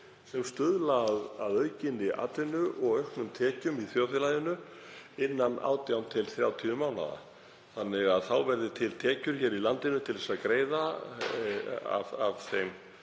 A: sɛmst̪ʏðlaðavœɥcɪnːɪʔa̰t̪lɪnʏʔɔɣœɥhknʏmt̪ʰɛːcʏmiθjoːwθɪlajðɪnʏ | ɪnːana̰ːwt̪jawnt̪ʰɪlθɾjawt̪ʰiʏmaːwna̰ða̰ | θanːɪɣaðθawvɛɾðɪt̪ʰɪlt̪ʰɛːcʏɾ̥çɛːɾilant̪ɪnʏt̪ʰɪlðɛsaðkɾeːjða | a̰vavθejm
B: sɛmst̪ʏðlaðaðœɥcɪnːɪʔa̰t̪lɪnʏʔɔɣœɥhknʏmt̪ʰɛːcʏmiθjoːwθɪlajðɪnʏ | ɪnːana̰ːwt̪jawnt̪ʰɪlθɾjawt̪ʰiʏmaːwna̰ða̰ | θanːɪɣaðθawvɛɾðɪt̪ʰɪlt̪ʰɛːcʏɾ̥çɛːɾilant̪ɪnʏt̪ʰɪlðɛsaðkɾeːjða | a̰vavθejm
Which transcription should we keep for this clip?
B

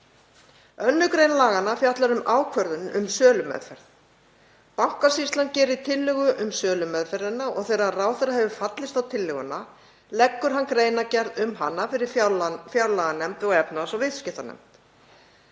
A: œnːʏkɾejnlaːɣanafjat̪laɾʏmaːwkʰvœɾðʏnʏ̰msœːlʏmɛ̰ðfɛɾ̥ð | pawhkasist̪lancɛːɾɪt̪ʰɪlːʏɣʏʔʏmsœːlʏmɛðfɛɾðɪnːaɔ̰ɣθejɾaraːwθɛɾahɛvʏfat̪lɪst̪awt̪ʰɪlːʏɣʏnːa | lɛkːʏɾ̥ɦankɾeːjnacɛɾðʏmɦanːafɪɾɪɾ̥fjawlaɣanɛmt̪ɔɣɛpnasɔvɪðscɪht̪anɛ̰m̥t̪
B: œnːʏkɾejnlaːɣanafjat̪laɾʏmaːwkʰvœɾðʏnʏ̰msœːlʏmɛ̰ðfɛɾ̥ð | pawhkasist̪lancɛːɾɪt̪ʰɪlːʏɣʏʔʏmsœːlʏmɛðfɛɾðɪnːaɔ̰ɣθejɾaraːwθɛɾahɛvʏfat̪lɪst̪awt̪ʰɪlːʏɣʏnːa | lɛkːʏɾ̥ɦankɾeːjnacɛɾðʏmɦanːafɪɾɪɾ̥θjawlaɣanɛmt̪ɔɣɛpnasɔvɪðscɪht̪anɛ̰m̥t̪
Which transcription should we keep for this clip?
A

